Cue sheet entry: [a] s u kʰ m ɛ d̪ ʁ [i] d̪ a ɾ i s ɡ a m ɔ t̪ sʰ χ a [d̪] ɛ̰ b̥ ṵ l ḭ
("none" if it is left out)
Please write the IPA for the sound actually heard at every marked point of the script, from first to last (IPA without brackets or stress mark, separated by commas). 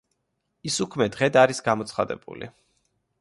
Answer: i, ɛ, d̪